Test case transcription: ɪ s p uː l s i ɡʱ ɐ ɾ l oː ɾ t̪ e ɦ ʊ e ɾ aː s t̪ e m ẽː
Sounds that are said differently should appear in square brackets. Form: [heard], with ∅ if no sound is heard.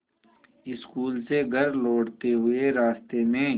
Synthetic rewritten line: ɪ s [k] uː l s [e] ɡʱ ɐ ɾ l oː [ɽ] t̪ e ɦ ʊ e ɾ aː s t̪ e m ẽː